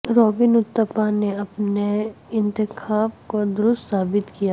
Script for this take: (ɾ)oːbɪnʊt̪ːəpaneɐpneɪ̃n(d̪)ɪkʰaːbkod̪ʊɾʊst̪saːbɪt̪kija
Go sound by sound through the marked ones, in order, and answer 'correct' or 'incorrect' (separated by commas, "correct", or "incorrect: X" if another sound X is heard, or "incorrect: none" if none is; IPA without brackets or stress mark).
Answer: correct, incorrect: t̪